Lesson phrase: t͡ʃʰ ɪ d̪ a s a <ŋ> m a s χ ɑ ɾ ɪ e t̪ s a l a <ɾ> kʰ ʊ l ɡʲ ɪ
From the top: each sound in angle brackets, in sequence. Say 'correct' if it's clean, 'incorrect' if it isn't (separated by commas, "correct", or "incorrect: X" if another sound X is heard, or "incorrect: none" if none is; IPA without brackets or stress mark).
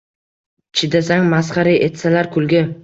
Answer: correct, correct